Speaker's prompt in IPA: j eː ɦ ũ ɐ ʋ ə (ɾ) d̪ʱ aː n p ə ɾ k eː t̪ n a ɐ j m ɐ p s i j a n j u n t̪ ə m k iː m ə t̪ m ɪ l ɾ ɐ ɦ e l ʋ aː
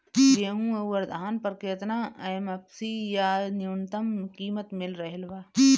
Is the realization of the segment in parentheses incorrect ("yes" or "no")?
no